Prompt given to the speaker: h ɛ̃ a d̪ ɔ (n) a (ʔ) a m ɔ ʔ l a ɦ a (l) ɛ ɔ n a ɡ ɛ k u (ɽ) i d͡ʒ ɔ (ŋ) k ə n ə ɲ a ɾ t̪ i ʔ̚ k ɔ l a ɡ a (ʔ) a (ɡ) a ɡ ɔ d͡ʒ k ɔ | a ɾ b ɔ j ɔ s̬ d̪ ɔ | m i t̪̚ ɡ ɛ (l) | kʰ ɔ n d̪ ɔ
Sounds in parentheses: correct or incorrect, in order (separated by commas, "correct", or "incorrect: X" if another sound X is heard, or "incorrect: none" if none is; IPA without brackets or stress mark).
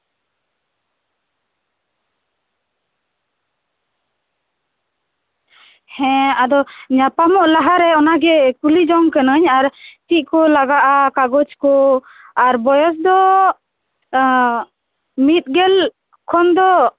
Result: incorrect: ɲ, incorrect: p, incorrect: ɾ, incorrect: l, correct, correct, incorrect: k, correct